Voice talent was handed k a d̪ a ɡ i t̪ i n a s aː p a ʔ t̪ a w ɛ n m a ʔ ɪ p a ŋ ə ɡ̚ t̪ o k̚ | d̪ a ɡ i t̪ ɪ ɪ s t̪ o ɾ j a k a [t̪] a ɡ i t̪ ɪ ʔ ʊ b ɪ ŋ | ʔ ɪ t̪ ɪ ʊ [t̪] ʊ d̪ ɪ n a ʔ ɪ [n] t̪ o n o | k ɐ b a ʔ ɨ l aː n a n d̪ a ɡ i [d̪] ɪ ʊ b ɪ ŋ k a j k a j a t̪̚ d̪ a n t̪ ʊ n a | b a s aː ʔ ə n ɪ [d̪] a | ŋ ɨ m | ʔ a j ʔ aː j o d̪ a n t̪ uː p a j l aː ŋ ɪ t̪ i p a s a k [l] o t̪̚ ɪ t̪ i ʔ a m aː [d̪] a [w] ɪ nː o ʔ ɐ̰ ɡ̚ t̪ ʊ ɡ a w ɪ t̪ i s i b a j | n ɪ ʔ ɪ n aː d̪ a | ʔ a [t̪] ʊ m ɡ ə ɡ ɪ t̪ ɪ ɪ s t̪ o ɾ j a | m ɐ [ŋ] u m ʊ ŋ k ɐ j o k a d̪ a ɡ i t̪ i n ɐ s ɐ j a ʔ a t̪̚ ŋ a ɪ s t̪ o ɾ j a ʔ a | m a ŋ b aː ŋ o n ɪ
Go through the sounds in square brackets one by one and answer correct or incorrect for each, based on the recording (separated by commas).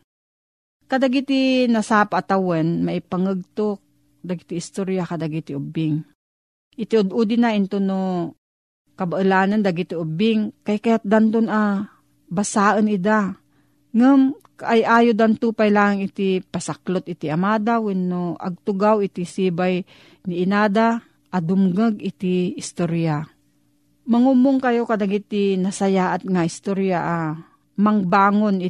incorrect, incorrect, correct, incorrect, correct, correct, correct, correct, incorrect, correct